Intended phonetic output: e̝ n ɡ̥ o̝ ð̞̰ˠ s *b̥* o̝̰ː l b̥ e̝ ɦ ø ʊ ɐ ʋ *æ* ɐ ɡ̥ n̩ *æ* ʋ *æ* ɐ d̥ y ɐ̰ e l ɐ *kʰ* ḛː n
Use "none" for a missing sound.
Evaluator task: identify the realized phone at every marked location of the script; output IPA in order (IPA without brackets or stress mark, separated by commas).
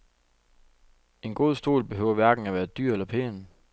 d̥, æ, æ, æː, pʰ